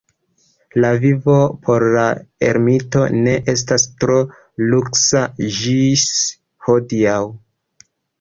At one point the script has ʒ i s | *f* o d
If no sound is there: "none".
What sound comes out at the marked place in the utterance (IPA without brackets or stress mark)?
h